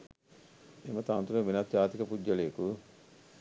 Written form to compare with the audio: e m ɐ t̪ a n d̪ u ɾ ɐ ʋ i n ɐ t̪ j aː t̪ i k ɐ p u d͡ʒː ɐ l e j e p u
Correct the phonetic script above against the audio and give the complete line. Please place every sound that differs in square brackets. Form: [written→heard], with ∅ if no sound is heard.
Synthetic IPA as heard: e m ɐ t̪ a n [d̪→t̪] u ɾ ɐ ʋ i n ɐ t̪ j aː t̪ i k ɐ p u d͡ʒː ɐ l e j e [p→k] u